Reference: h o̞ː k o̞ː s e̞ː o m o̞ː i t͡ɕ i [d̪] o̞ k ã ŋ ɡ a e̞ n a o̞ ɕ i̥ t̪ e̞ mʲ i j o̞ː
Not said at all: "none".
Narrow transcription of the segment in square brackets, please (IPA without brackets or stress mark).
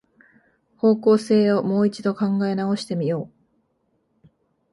d̪